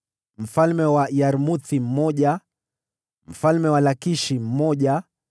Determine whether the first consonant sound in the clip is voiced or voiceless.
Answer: voiced